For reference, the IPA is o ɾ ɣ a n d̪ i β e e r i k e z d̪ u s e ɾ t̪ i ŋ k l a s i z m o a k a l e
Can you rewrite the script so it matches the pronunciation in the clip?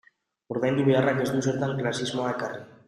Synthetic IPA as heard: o ɾ ð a n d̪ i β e a r a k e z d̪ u s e ɾ t̪ a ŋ k l a s i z m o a k a r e